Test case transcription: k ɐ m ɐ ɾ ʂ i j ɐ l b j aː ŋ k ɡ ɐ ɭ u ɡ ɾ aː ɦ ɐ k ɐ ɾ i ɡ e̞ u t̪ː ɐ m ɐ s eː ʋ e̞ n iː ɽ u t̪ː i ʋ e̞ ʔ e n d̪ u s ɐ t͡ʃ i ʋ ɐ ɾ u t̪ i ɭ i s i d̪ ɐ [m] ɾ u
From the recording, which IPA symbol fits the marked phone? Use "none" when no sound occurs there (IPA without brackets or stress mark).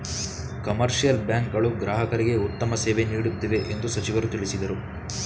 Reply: none